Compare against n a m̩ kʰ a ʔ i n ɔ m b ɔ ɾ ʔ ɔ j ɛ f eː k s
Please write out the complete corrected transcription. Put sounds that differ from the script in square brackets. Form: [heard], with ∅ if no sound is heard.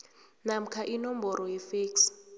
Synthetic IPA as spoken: n a m̩ kʰ a ʔ i n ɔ m b ɔ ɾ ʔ ɔ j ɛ f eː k s